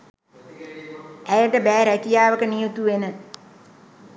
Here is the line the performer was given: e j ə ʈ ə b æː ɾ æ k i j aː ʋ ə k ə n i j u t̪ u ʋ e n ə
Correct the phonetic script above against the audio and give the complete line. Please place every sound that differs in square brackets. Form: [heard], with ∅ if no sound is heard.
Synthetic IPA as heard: [æ] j ə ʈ ə b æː ɾ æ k i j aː ʋ ə k ə n i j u t̪ u ʋ e n ə